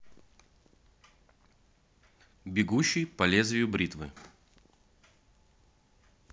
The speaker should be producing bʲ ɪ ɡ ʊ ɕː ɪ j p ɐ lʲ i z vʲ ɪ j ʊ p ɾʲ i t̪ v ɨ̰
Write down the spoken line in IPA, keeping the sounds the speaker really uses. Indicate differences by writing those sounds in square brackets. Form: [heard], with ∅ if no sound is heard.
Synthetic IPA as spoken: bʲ ɪ ɡ [u] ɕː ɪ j p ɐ lʲ [e] z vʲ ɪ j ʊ [b] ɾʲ i t̪ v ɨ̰